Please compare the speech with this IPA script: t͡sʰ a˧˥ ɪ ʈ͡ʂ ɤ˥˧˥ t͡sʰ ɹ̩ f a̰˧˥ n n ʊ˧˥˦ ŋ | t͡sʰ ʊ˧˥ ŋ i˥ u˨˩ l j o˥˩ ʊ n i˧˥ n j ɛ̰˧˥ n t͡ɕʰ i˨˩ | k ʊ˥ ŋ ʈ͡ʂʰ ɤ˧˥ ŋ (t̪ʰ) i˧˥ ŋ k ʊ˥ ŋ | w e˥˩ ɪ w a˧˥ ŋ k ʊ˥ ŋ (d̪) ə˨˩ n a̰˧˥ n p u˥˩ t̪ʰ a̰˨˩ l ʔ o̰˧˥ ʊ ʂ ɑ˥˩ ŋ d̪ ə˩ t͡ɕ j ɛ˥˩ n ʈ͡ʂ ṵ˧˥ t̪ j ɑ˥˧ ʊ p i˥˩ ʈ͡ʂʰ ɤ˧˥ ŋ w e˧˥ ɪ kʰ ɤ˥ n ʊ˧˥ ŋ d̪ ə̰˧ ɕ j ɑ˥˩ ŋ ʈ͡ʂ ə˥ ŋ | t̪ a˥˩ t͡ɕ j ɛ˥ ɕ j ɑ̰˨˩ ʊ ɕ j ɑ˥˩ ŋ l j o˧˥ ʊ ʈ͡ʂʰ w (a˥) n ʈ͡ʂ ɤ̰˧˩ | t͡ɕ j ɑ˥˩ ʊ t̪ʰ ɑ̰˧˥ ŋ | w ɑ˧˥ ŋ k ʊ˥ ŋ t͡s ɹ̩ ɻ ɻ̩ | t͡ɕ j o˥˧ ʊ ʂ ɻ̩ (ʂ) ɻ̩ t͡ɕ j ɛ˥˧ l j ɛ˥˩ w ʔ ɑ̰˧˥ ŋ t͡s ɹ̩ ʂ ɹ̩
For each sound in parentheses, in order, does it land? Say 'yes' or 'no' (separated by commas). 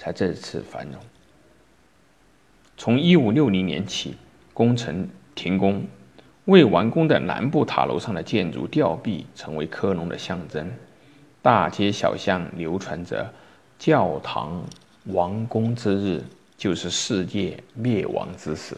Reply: yes, yes, no, yes